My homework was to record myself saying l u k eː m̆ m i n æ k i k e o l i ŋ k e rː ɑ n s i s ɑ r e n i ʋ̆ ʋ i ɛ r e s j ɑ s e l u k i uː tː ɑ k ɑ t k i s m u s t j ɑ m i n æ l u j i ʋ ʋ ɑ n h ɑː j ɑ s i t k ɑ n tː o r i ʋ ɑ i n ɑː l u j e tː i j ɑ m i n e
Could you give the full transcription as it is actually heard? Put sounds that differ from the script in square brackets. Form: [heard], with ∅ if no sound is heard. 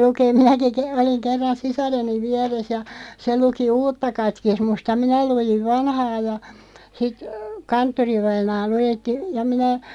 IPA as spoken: l u k eː m̆ m i n æ k i k e o l i ŋ k e rː ɑ n s i s ɑ r e n i ʋ̆ ʋ i ɛ r e s j ɑ s e l u k i uː tː ɑ k ɑ t k i s m u s t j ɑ m i n æ l u j i ʋ ʋ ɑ n h ɑː j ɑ s i t k ɑ n tː o r i ʋ ɑ i n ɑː l u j e tː i j ɑ m i n [æ]